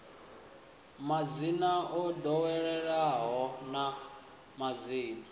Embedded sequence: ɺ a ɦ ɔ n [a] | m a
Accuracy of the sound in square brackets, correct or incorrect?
correct